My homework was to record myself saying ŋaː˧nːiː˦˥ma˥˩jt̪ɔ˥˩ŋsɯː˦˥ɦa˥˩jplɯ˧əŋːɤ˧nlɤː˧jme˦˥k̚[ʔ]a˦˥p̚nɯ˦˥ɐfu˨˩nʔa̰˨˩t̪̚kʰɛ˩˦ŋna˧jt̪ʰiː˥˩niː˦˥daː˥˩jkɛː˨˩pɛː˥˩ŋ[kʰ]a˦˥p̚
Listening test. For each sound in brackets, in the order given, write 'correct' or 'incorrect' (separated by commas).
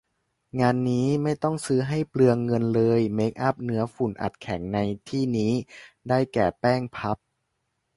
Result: correct, incorrect